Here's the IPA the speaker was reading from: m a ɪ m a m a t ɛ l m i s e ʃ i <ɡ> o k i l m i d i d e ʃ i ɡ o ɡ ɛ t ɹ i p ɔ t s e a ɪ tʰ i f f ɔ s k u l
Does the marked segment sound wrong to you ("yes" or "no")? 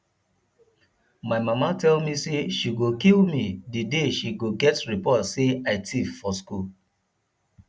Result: no